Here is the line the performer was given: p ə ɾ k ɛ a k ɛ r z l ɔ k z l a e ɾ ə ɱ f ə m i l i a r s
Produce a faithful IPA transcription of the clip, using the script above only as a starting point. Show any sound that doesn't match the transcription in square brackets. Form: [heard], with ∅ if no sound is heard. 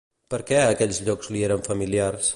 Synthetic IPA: p ə ɾ k ɛ [ə] k ɛ [ʎ] z [ʎ] ɔ k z l [i] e ɾ ə ɱ f ə m i l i a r s

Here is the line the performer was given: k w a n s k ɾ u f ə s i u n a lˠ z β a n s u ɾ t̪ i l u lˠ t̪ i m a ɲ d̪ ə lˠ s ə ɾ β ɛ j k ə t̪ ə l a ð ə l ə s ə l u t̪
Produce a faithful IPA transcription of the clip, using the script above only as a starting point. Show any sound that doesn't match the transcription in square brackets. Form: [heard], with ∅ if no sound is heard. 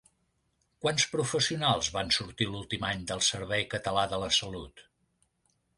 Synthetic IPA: k w a n s [p] ɾ u f ə s i u n a lˠ z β a n s u ɾ t̪ i l u lˠ t̪ i m a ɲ d̪ ə lˠ s ə ɾ β ɛ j k ə t̪ ə l a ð ə l ə s ə l u t̪

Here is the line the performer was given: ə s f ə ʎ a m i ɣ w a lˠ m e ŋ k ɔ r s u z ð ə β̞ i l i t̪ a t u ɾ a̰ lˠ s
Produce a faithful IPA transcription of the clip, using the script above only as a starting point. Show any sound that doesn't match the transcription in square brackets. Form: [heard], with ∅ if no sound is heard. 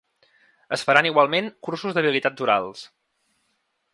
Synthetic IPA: ə s f ə [ɾ] a [n] i ɣ w a lˠ m e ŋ k [u] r s u z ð ə β̞ i l i t̪ a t u ɾ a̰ lˠ s

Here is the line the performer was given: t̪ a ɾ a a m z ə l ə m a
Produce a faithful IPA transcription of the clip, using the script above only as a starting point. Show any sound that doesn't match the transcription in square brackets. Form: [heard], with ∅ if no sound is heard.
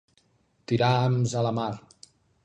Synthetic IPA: t̪ [i] ɾ a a m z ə l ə m a

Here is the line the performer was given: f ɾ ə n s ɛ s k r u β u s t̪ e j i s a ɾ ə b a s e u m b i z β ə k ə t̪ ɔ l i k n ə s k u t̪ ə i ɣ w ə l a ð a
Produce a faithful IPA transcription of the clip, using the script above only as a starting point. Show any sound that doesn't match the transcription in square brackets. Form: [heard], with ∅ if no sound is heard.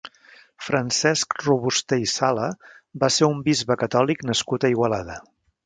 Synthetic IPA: f ɾ ə n s ɛ s k r u β u s t̪ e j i s a [l] ə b a s e u m b i z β ə k ə t̪ ɔ l i k n ə s k u t̪ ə i ɣ w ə l a ð [ə]

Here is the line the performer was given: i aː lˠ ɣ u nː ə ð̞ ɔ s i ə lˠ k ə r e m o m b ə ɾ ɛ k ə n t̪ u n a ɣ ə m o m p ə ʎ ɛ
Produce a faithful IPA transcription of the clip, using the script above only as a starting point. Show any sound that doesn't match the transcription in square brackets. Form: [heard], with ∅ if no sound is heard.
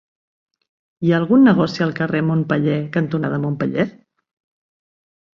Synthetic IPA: i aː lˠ ɣ u nː ə [ɣ̞] ɔ s i ə lˠ k ə r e m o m [p] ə [ʎ] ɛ k ə n t̪ u n a [ð] ə m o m p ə ʎ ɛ

